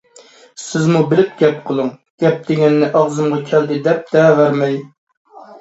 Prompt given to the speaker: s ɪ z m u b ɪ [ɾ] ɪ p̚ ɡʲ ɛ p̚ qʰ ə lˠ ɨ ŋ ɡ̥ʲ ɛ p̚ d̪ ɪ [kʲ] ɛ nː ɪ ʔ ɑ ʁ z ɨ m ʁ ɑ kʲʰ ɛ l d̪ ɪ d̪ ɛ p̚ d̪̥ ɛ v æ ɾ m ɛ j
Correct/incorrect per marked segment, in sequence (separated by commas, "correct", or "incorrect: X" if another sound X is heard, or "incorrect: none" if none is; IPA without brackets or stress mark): incorrect: l, incorrect: ɡʲ